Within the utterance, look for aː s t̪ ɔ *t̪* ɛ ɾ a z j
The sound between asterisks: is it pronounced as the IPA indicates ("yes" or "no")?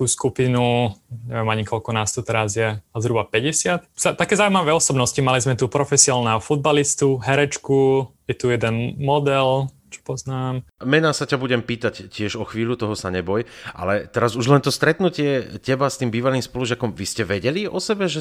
yes